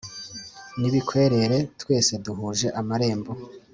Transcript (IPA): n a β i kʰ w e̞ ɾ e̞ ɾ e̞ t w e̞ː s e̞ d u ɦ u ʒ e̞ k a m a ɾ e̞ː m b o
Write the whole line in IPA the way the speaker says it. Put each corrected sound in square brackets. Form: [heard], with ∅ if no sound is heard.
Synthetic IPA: n [i] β i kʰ w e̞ ɾ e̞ ɾ e̞ t w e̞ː s e̞ d u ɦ u ʒ e̞ [ʔ] a m a ɾ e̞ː m b o